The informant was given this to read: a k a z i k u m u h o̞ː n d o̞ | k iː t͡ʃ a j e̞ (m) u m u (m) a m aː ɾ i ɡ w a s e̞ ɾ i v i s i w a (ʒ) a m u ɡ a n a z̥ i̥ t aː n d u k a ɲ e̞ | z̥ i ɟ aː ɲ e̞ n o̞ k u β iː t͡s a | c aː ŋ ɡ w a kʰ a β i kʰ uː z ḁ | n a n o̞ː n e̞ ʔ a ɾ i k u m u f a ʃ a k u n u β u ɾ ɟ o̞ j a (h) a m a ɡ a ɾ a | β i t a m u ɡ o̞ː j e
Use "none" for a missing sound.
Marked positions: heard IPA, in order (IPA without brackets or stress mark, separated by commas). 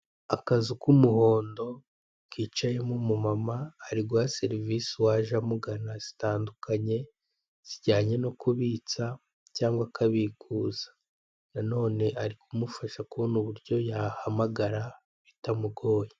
m, m, ʒ, h